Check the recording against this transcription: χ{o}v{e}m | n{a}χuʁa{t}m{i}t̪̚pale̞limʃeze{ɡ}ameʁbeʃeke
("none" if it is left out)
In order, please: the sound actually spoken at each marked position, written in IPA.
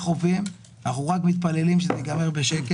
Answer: o, i, a, k, i, ɡ

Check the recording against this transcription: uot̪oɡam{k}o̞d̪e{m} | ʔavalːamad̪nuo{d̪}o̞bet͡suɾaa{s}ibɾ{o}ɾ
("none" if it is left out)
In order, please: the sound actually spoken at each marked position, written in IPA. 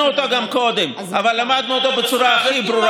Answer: k, m, t̪, χ, u

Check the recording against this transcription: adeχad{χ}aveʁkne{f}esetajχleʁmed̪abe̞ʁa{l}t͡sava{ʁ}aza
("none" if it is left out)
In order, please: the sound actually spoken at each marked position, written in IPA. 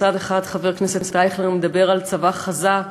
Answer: χ, s, l, χ

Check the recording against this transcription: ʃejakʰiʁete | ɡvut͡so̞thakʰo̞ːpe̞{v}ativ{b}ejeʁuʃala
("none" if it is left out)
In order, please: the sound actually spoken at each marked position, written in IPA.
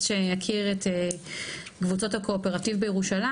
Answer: ʁ, b

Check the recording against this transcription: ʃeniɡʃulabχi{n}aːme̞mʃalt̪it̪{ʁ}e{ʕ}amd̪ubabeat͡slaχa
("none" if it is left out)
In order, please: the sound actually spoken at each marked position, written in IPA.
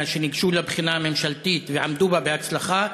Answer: n, v, ʕ

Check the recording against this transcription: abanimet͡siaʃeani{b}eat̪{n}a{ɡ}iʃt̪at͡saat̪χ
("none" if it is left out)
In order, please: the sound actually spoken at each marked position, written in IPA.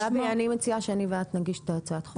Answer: v, n, ɡ

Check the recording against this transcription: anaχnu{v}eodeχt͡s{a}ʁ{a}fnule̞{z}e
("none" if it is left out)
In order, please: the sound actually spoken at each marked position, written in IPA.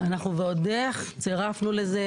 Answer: v, e, a, z

